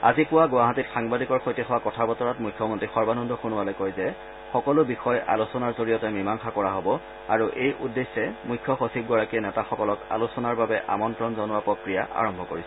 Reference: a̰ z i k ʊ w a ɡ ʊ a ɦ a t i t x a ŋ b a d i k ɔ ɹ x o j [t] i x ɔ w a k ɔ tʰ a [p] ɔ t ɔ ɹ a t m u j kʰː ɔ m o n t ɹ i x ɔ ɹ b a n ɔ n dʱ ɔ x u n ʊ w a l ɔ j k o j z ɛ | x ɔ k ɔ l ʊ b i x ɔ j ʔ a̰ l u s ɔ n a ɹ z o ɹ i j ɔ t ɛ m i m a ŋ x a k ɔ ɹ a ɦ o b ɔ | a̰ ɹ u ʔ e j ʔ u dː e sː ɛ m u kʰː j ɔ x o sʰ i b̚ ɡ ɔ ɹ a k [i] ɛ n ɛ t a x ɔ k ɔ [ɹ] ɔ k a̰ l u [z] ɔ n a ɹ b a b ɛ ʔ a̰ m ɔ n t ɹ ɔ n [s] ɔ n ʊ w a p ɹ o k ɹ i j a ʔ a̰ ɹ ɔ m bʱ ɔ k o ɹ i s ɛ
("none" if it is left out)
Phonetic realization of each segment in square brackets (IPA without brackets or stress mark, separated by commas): t, b, i, l, s, z